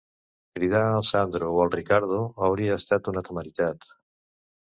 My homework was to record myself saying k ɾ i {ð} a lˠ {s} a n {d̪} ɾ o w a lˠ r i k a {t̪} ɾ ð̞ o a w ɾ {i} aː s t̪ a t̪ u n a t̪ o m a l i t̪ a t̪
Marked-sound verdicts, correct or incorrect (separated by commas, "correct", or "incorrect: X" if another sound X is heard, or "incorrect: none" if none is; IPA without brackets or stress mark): correct, correct, correct, incorrect: none, correct